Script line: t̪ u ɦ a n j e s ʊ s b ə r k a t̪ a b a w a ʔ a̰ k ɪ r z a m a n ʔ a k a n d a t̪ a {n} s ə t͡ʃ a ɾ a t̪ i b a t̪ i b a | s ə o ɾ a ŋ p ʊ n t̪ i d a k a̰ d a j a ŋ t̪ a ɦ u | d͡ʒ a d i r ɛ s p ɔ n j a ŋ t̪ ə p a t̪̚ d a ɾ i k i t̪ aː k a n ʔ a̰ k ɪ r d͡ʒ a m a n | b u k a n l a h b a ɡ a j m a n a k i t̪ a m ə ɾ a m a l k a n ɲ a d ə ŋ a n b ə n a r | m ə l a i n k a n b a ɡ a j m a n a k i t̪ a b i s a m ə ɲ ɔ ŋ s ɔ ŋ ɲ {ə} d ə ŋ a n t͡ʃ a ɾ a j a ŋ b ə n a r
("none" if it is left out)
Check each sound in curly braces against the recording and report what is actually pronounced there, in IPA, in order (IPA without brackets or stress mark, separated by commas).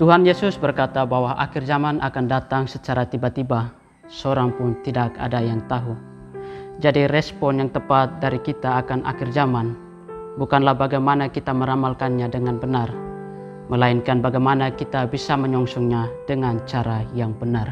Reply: ŋ, a